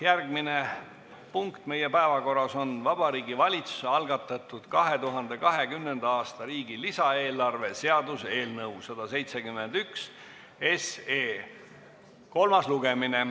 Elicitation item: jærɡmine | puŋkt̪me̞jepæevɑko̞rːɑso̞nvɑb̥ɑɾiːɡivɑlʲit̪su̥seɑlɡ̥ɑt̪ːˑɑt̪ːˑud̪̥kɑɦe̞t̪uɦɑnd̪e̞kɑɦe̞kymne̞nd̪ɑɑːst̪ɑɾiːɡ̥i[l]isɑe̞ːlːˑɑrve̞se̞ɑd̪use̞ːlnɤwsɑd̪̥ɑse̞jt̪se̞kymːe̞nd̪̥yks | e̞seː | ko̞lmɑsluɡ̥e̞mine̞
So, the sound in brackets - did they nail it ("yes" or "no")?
yes